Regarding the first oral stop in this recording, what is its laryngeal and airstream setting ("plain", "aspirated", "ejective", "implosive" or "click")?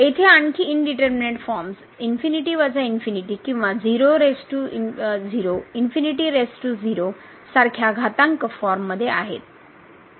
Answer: aspirated